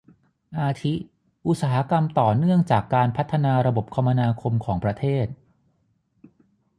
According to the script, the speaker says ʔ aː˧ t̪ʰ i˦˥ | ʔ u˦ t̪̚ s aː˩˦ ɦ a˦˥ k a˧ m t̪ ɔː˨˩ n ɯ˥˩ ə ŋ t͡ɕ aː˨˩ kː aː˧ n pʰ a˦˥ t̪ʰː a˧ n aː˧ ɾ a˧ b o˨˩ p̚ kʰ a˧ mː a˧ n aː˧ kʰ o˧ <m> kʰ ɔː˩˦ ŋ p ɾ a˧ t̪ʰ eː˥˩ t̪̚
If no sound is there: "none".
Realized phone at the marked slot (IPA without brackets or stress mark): m